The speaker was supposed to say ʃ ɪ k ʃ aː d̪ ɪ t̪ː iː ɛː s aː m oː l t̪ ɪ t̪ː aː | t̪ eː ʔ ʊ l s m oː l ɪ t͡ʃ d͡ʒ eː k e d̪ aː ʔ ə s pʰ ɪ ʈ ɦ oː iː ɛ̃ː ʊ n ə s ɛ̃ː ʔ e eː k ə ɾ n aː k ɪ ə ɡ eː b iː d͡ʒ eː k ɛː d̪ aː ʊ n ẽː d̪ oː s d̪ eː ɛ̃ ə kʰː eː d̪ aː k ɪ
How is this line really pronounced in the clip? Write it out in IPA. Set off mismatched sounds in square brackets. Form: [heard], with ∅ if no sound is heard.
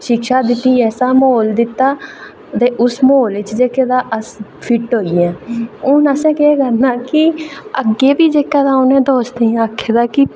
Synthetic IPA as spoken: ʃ ɪ k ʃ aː d̪ ɪ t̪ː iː ɛː s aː m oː l [d̪] ɪ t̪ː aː | t̪ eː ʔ ʊ [∅] s m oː l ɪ t͡ʃ d͡ʒ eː k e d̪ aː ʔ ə s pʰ ɪ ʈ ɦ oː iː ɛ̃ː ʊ n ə s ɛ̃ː [k] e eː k ə ɾ n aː k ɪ ə ɡ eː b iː d͡ʒ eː k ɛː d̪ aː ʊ n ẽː d̪ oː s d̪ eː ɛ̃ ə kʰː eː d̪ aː k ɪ